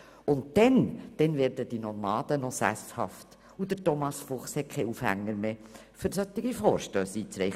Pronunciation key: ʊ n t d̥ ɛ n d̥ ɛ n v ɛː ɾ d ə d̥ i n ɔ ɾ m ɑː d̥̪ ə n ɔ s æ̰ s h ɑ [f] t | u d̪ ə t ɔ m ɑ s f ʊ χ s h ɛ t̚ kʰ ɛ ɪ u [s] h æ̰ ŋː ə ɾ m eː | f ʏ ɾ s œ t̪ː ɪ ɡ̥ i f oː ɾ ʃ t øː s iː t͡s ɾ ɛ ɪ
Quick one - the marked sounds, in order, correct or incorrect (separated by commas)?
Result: correct, incorrect